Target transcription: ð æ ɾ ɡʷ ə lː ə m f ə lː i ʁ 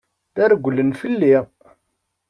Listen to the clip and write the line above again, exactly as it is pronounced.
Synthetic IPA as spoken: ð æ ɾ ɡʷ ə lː ə n f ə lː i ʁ